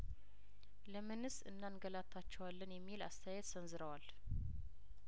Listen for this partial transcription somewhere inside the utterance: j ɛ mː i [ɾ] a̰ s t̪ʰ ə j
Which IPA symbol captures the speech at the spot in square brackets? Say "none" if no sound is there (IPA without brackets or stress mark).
l